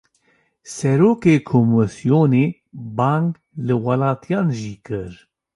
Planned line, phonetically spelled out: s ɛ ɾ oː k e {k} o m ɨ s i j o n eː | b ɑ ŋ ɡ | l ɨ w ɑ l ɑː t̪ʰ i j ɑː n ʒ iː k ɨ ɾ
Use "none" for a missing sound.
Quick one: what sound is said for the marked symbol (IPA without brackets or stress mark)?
kʰ